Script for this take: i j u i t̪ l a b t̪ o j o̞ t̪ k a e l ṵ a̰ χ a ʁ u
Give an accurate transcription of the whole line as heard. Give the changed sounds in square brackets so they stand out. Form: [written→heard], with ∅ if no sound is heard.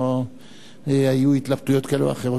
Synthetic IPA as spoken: [i→a] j u i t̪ l a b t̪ [o→u] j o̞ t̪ k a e l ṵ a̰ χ [a→e] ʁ [u→o]